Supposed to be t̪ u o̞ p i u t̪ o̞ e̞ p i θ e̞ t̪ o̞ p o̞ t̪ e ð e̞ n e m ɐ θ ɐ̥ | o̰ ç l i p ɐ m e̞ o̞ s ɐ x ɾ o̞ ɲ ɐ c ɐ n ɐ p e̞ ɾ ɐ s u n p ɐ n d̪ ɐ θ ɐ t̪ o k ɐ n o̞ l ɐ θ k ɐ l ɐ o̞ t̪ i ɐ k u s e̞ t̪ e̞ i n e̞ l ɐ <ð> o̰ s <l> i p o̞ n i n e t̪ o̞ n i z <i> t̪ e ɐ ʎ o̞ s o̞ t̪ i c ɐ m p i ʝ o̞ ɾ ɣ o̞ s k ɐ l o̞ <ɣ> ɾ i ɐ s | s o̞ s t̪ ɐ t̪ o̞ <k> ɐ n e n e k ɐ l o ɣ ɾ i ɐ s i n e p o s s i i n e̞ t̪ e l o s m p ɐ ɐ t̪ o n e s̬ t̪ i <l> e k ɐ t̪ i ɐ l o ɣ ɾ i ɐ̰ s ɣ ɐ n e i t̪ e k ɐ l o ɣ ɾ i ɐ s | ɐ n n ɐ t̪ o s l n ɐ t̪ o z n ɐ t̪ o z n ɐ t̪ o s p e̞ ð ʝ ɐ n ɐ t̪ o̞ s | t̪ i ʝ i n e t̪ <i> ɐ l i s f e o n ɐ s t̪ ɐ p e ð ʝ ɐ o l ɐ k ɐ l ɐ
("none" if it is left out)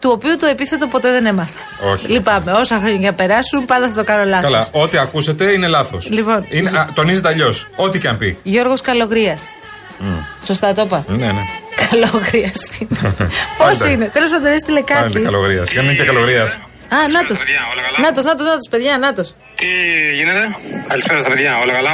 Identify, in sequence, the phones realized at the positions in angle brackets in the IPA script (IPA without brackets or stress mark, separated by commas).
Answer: θ, l, e, ɣ, p, l, e